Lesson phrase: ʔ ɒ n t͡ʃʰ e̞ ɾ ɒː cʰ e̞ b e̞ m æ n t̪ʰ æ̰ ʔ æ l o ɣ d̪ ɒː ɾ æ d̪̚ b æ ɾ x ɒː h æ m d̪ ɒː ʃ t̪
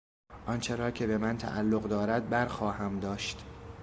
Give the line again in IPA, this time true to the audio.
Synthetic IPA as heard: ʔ ɒ n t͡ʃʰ e̞ ɾ ɒː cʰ e̞ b e̞ m æ n t̪ʰ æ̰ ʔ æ lː o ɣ d̪ ɒː ɾ æ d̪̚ b æ ɾ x ɒː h æ m d̪ ɒː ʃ t̪

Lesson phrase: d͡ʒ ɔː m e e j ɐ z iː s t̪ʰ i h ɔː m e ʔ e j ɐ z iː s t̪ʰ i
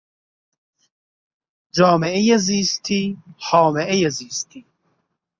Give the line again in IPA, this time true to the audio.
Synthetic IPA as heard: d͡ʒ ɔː m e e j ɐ z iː s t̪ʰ i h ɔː m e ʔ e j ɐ z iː s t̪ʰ i

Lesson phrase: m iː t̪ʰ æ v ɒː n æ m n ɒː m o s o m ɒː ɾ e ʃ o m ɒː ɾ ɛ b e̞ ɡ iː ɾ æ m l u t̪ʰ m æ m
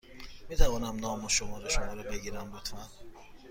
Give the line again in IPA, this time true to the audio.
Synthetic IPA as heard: m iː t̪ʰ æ v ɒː n æ m n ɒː m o ʃ o m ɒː ɾ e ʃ o m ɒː ɾ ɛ b e̞ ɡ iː ɾ æ m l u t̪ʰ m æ n

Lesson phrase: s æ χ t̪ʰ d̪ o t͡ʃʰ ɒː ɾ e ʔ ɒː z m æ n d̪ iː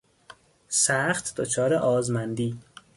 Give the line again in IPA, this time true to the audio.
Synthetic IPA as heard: s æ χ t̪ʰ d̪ o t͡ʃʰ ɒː ɾ e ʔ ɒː z m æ n d̪ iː

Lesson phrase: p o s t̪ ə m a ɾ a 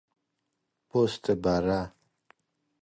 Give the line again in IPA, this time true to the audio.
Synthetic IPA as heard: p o s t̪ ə b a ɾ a

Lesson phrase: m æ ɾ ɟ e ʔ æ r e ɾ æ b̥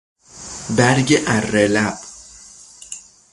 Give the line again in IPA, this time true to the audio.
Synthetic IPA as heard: b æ ɾ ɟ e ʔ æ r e l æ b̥

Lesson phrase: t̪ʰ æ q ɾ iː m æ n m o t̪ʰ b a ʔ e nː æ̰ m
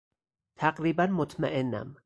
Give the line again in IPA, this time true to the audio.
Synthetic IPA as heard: t̪ʰ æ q ɾ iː b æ n m o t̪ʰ m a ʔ e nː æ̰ m

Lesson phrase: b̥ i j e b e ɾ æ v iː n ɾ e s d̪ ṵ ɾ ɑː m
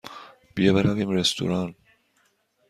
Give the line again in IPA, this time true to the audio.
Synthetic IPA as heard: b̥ i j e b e ɾ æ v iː m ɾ e s t̪ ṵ ɾ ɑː n

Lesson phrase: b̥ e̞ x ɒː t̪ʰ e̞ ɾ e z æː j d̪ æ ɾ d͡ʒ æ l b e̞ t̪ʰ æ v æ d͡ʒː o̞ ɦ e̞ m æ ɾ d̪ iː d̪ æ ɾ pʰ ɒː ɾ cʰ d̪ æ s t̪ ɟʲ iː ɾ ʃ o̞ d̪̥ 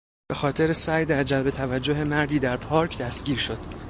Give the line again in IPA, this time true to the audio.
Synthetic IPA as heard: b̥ e̞ x ɒː t̪ʰ e̞ ɾ e s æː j d̪ æ ɾ d͡ʒ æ l b e̞ t̪ʰ æ v æ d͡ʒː o̞ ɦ e̞ m æ ɾ d̪ iː d̪ æ ɾ pʰ ɒː ɾ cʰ d̪ æ s t̪ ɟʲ iː ɾ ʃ o̞ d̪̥

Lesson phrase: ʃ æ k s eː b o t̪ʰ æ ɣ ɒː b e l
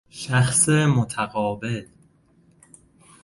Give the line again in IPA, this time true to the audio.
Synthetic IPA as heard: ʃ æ x s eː m o t̪ʰ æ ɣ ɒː b e l

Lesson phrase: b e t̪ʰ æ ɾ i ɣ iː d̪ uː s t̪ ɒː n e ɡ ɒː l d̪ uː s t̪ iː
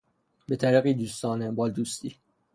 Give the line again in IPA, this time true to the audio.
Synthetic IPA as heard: b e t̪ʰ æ ɾ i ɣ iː d̪ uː s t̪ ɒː n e b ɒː l d̪ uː s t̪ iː

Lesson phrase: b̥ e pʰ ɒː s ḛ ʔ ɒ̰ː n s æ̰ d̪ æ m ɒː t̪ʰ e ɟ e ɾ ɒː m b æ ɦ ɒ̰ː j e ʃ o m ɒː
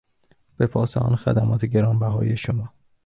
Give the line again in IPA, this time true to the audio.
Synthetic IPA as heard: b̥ e pʰ ɒː s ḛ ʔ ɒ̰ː n x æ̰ d̪ æ m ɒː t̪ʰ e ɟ e ɾ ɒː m b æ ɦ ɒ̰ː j e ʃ o m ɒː

